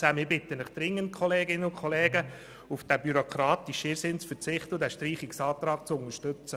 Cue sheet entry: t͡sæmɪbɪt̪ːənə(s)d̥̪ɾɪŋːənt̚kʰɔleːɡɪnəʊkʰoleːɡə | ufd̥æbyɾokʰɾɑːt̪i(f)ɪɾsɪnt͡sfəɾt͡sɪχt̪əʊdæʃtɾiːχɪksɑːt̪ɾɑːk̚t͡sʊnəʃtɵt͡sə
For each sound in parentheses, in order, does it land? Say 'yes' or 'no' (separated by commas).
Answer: no, no